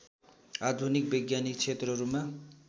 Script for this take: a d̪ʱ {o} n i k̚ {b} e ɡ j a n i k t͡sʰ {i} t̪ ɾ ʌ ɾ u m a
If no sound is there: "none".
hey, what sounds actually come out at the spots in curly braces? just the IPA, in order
u, b, e

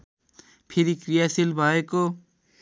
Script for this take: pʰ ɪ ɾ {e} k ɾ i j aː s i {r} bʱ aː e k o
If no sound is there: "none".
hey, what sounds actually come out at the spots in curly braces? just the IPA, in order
i, l

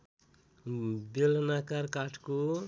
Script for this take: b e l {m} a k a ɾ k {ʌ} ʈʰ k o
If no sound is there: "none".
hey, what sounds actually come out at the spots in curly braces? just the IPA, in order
n, a

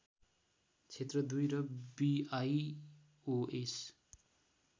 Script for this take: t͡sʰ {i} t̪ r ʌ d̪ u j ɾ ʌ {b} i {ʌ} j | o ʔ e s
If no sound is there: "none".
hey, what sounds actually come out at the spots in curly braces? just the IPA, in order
e, b, a

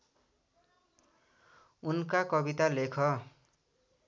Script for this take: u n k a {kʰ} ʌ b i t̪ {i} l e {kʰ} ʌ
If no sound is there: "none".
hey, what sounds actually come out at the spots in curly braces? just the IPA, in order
k, a, kʰ

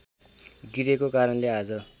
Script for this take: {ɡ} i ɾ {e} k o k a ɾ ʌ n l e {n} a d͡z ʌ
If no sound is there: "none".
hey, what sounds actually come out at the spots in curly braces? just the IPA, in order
ɡ, e, none

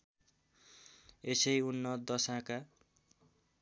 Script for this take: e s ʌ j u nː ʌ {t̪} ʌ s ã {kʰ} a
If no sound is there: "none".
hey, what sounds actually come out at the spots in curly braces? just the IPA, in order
d̪, k

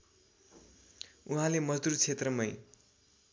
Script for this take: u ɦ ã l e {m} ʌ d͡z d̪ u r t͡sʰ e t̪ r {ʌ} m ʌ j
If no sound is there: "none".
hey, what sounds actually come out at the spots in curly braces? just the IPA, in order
m, ʌ

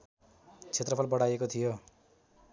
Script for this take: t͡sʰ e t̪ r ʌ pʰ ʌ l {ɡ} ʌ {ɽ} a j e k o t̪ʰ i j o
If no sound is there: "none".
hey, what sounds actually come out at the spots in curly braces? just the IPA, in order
b, ɽ

